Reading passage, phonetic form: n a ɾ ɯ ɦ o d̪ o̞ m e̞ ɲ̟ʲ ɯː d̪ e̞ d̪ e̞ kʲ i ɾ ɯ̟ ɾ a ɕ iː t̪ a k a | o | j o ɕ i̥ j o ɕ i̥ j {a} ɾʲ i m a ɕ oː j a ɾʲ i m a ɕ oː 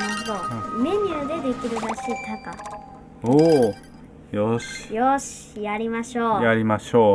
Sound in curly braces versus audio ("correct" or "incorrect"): correct